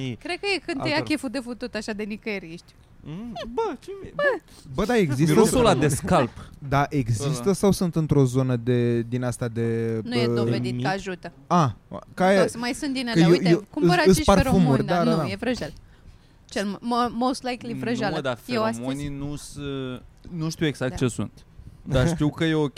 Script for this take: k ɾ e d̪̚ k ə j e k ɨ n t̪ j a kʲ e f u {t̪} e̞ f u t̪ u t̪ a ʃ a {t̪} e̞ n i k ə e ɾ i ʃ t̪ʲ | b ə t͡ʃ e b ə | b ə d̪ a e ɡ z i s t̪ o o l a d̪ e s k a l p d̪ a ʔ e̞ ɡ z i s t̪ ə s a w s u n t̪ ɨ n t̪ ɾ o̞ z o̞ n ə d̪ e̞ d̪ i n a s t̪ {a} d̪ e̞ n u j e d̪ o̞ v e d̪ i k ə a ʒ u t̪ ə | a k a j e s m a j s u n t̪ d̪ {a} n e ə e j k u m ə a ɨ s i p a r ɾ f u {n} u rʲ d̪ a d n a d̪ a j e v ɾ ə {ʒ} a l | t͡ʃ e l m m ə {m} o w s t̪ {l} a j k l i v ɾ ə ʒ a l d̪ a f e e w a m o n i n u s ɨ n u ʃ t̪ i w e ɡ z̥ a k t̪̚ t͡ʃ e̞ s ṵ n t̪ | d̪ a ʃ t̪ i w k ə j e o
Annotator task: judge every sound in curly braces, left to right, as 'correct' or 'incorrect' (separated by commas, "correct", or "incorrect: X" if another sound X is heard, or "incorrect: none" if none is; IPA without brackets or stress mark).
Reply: incorrect: d̪, incorrect: d̪, correct, incorrect: i, incorrect: m, correct, correct, correct